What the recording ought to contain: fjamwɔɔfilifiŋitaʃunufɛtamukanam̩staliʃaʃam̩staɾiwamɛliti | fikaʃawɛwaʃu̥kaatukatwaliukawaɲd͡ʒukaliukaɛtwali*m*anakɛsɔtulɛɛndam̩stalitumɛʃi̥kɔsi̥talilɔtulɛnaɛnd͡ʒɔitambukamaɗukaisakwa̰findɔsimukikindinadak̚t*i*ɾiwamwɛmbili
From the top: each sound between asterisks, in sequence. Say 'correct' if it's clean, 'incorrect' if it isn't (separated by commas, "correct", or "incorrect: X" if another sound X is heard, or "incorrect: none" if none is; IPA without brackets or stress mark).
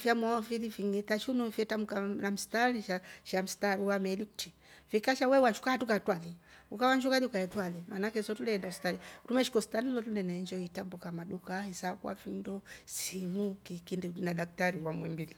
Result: correct, incorrect: a